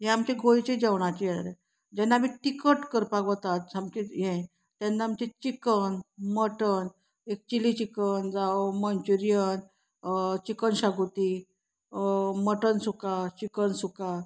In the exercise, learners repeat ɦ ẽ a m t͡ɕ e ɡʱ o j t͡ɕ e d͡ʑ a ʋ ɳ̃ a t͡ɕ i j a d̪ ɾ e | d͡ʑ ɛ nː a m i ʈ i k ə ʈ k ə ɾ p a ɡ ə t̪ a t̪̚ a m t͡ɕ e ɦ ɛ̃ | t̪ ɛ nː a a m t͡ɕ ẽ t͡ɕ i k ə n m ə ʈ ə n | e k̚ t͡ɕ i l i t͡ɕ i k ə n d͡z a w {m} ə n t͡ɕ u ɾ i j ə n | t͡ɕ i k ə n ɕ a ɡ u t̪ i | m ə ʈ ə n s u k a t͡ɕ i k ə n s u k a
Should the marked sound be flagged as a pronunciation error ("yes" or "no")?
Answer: no